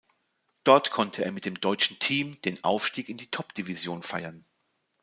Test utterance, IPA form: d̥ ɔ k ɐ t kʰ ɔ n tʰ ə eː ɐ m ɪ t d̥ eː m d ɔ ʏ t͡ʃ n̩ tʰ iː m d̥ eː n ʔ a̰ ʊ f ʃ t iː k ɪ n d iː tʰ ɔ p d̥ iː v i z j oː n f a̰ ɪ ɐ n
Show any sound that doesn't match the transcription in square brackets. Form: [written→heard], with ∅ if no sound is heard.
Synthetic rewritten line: d̥ ɔ [k→∅] ɐ t kʰ ɔ n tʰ ə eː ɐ m ɪ t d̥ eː m d ɔ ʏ t͡ʃ n̩ tʰ iː m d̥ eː n ʔ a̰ ʊ f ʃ t iː k ɪ n d iː tʰ ɔ p d̥ [iː→i] v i z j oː n f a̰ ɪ ɐ n